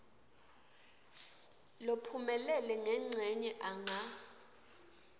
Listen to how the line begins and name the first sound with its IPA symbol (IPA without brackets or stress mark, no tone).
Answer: l